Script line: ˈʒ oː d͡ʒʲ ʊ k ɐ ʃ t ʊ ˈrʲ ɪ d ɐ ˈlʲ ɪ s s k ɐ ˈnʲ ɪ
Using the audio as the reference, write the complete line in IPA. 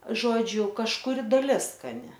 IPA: ˈʒ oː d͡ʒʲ ʊ k ɐ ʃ k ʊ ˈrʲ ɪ d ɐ ˈlʲ ɪ s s k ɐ ˈnʲ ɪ